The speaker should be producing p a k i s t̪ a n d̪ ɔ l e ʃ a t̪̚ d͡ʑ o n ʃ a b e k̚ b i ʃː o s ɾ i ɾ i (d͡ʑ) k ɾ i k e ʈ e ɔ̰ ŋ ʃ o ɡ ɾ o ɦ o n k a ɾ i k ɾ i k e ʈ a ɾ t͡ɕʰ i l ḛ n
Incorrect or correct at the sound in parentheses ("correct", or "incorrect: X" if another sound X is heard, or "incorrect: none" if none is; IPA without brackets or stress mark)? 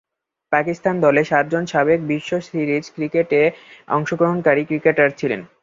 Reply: correct